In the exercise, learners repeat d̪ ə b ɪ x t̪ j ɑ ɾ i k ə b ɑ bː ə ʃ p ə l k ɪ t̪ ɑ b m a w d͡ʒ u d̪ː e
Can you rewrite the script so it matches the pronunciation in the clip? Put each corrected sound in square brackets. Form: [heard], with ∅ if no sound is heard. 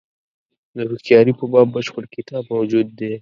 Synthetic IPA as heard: d̪ ə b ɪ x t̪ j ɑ ɾ i [p] ə b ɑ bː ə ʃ p ə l k ɪ t̪ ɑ b m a w d͡ʒ u d̪ː e

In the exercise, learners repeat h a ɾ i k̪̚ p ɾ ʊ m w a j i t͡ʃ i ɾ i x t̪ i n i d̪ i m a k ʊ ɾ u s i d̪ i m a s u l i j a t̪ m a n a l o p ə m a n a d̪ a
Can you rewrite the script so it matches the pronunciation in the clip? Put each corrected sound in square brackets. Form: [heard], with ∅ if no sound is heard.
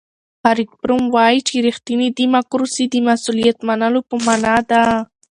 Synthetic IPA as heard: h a ɾ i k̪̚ p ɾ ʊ m w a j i t͡ʃ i ɾ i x t̪ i n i d̪ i m a k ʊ ɾ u s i d̪ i m a s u l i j a t̪ m a n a l o p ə m a n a d̪ a

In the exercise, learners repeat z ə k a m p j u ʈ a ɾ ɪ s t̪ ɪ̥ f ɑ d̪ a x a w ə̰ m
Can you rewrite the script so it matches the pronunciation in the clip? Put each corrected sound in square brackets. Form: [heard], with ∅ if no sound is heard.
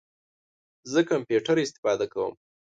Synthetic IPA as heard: z ə k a m p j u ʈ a ɾ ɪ s t̪ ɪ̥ f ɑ d̪ a [k] a w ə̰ m

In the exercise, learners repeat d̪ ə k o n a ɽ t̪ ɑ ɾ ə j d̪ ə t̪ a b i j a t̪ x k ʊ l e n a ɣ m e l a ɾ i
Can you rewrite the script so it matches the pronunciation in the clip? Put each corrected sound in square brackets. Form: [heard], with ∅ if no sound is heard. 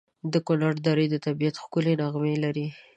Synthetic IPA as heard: d̪ ə k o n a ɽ [d̪] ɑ ɾ ə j d̪ ə t̪ a b i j a t̪ x k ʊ l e n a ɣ m e l a ɾ i

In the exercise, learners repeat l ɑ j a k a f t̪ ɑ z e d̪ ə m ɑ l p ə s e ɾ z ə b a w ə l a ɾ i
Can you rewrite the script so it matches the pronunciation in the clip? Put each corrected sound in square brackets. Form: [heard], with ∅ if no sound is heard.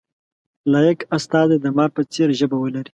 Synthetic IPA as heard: l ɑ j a k a [s] t̪ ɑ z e d̪ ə m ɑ [ɾ] p ə [t͡s] e ɾ [ʒ] ə b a w ə l a ɾ i

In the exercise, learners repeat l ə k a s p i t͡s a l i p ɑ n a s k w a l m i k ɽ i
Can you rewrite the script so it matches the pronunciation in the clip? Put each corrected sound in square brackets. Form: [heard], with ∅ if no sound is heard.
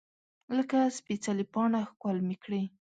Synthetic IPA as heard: l ə k a s p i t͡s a l i p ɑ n a [x] k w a l m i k ɽ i

